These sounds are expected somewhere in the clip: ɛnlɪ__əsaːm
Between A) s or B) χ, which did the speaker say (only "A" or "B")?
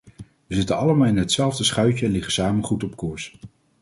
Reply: B